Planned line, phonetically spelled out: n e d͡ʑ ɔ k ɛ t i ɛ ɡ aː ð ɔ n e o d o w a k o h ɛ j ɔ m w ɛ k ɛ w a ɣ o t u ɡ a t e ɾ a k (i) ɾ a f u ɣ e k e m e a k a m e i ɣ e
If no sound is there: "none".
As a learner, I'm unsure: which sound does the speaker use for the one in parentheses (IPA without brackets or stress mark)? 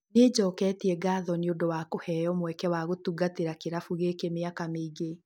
e